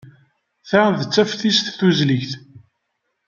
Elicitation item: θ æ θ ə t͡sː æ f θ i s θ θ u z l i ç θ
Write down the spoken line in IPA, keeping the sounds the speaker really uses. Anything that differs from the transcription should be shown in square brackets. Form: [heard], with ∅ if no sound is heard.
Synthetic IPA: θ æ [ð] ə t͡sː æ f θ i s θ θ u z l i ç θ